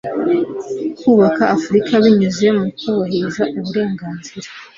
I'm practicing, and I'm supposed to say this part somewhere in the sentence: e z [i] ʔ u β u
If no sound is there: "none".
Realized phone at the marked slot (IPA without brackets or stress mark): a